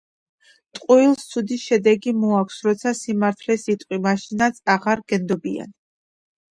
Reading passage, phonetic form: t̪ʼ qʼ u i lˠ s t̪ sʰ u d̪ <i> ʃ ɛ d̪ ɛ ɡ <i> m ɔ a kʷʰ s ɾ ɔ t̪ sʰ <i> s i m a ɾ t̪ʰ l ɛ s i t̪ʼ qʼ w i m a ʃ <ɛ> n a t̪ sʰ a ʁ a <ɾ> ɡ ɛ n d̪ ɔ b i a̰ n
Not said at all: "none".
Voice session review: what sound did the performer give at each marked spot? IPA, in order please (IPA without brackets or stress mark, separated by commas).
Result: i, i, a, i, ɾ